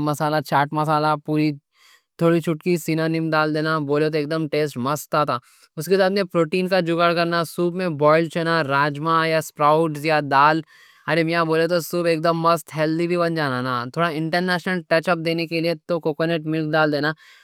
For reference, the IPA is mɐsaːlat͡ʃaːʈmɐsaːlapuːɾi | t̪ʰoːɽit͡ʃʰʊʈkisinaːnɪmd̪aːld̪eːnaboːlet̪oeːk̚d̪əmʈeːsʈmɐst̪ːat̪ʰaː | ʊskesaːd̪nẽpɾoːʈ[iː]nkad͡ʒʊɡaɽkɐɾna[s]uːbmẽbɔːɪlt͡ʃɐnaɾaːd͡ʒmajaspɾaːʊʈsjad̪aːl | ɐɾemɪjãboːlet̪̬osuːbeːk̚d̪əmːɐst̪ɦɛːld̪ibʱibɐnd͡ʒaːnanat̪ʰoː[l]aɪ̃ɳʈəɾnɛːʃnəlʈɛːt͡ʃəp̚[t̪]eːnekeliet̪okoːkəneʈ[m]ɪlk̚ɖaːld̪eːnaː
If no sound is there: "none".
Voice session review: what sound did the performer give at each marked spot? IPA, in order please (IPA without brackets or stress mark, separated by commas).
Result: iː, s, ɽ, d̪, m